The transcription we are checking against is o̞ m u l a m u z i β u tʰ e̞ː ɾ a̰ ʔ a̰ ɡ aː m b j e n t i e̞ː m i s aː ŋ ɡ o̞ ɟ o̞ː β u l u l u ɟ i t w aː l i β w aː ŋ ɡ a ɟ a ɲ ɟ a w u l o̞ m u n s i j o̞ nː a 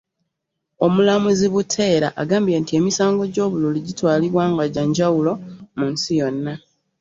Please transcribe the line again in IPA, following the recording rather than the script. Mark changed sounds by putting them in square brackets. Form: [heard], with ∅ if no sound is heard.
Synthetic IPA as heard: o̞ m u l a m u z i β u tʰ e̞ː ɾ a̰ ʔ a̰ ɡ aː m b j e n t i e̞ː m i s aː ŋ ɡ o̞ ɟ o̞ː β u l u l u ɟ i t w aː l i β w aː ŋ ɡ a ɟ a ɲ ɟ a w u l o̞ m u n s i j o̞ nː a